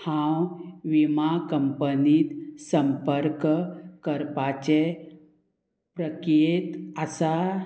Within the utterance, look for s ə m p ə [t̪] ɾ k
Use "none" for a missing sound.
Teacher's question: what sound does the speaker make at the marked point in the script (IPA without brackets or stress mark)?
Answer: none